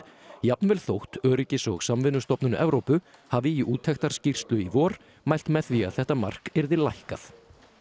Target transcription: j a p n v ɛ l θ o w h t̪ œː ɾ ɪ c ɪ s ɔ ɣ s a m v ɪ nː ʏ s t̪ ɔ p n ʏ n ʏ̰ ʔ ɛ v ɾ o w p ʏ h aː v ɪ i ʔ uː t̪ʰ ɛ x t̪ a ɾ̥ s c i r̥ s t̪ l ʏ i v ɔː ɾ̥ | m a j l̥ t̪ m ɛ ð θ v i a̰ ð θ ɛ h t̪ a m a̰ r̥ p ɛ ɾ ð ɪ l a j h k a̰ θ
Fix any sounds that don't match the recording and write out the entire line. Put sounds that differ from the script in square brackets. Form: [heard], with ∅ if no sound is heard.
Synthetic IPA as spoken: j a p n v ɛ l θ o w h t̪ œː ɾ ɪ c ɪ s ɔ ɣ s a m v ɪ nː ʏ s t̪ ɔ p n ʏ n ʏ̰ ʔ ɛ v ɾ o w p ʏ h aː v ɪ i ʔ uː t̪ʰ ɛ x t̪ a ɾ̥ s c i r̥ s t̪ l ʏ i v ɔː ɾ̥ | m a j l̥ t̪ m ɛ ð θ v i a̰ ð θ ɛ h t̪ a m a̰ r̥ [k] ɛ ɾ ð ɪ l a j h k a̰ θ